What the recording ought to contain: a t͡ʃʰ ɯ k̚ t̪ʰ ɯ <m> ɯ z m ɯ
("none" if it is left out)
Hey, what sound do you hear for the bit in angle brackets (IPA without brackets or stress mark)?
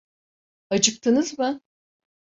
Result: n